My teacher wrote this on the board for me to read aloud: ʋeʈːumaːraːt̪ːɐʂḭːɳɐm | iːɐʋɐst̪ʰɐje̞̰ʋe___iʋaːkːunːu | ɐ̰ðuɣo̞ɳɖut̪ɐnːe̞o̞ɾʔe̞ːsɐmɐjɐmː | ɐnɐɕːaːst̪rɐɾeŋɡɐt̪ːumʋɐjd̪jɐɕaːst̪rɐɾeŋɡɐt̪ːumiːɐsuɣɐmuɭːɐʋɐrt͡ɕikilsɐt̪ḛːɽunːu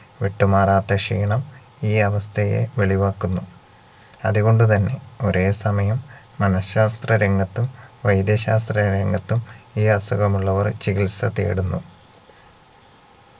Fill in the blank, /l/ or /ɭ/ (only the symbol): ɭ